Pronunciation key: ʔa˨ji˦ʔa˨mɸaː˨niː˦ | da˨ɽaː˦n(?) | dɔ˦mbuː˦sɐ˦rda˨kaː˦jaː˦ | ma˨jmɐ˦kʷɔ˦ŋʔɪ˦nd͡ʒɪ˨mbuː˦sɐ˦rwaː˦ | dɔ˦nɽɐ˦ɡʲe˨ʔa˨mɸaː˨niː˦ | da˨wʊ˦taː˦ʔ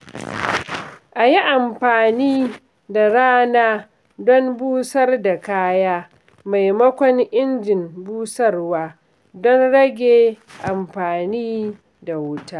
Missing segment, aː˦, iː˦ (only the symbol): aː˦